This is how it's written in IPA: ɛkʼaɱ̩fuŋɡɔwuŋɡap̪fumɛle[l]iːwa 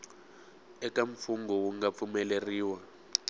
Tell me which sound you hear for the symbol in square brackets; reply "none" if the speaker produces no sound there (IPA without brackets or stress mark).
r